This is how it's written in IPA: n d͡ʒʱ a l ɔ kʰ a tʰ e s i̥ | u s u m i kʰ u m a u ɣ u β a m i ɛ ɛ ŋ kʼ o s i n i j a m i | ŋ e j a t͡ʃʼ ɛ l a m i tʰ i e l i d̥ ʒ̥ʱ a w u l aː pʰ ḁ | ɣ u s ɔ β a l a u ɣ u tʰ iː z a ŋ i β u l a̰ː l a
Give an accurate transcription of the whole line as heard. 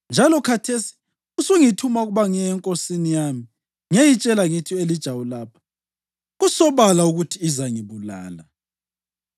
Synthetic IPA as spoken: n d͡ʒʱ a l ɔ kʰ a tʰ e s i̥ | u s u ŋ i tʰ u m a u ɣ u β a ŋ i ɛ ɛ ŋ kʼ o s i n i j a m i | ŋ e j i t͡ʃʼ ɛ l a ŋ i tʰ i e l i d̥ ʒ̥ʱ a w u l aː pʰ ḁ | ɣ u s ɔ β a l a u ɣ u tʰ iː z a ŋ i β u l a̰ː l a